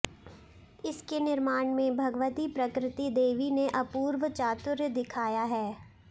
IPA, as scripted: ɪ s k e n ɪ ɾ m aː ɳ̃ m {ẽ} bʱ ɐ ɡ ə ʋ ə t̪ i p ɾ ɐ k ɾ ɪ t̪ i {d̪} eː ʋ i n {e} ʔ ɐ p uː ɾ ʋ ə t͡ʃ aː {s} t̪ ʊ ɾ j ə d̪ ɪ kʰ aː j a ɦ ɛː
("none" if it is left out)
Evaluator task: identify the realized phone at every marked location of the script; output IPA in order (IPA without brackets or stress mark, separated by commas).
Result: ẽ, d̪, e, none